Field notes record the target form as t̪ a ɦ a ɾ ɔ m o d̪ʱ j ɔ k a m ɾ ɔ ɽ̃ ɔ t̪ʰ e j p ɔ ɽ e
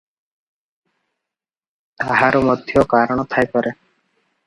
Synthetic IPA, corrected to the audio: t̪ a ɦ a ɾ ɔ m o d̪ʱ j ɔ k a ɾ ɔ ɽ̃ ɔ t̪ʰ a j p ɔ ɾ e